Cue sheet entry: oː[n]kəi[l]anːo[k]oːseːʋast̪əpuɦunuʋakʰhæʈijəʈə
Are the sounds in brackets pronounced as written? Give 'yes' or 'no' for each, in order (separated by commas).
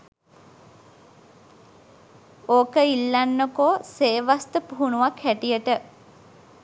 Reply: no, no, yes